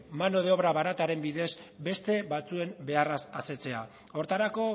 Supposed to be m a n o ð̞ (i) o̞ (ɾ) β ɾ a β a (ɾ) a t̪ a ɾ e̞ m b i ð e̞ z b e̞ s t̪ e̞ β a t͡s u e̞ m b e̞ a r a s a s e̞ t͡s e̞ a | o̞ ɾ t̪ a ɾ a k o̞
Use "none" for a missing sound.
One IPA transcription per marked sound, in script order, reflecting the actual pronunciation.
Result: e, none, ɾ

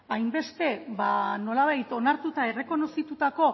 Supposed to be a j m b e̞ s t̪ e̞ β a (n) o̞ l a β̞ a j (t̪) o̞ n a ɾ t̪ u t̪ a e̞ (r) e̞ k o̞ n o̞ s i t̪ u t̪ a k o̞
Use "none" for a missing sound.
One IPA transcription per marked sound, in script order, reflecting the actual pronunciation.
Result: n, t̪, r

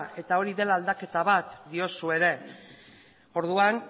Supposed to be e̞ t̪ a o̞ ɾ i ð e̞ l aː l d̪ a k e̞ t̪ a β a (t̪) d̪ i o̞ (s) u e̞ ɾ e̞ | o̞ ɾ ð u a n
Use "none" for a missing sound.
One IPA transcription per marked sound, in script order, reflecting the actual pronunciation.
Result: t̪, s

